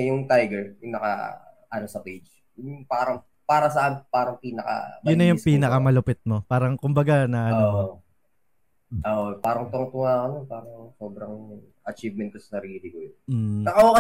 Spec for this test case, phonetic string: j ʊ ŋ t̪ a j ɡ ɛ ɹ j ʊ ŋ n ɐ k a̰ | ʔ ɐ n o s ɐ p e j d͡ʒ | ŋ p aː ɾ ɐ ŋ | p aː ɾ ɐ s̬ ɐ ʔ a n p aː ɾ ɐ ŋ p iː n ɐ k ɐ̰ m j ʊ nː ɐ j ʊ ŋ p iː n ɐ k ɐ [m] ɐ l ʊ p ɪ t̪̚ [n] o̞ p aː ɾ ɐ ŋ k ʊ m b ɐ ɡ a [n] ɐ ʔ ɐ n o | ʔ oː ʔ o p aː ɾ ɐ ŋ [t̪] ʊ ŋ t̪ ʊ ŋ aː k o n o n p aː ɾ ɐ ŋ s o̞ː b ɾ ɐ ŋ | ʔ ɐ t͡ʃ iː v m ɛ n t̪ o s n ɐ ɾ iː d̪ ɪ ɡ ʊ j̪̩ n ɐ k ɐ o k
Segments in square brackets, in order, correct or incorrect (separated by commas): correct, incorrect, correct, correct